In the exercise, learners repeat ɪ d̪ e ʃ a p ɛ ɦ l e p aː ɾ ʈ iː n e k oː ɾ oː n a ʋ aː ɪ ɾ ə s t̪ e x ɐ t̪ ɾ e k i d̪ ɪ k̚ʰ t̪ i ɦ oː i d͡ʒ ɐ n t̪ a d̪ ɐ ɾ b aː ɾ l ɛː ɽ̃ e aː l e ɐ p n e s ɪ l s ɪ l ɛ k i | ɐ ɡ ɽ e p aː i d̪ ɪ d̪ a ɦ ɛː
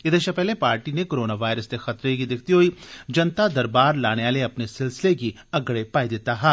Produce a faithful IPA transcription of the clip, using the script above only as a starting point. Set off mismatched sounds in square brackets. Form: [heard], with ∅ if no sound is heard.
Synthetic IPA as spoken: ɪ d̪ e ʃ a p ɛ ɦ l e p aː ɾ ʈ [i] n e k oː ɾ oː n a ʋ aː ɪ ɾ ə s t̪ e x ɐ t̪ ɾ e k i d̪ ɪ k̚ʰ t̪ i ɦ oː i d͡ʒ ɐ n t̪ a d̪ ɐ ɾ b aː ɾ l [aː] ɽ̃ e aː l e ɐ p n e s ɪ l s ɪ l [e] k i | ɐ ɡ ɽ e p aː i d̪ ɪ [t̪] a ɦ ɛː